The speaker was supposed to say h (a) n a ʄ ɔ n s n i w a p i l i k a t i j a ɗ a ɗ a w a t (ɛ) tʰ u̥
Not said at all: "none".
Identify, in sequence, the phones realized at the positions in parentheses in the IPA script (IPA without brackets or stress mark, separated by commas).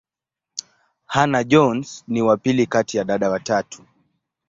a, a